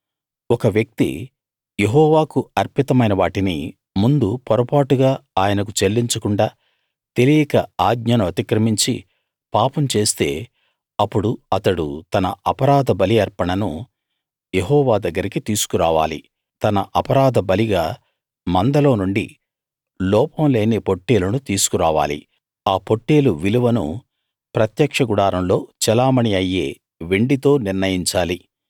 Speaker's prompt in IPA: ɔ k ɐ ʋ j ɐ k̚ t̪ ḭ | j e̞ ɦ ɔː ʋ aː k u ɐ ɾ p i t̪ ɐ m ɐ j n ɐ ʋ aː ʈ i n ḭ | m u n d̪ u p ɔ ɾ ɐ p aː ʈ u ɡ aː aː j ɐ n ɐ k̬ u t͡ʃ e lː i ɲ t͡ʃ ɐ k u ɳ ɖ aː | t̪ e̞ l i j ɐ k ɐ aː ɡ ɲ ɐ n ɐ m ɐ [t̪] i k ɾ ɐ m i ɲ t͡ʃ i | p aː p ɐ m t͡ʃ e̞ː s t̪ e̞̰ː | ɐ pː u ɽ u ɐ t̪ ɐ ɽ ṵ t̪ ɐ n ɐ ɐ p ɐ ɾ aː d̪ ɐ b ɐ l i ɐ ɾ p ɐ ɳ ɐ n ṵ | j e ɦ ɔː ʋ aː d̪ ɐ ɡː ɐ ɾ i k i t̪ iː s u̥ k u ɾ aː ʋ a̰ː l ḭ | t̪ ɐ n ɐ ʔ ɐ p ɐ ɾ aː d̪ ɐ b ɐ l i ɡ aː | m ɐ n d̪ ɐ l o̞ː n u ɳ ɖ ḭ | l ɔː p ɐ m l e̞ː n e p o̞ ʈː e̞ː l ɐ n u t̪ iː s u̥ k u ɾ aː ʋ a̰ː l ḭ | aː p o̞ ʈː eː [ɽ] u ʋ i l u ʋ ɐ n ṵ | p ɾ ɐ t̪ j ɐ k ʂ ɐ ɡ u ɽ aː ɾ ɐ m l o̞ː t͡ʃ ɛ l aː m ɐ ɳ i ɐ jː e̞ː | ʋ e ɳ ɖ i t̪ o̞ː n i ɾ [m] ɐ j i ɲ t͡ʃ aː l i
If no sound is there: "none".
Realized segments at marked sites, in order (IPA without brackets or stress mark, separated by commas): t̪, l, n